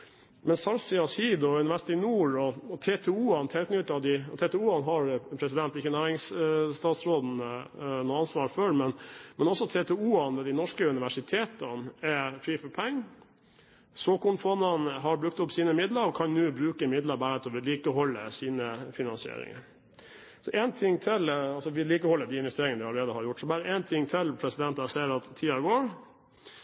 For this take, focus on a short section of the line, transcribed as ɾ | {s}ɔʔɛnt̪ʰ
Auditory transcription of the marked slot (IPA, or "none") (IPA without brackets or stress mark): s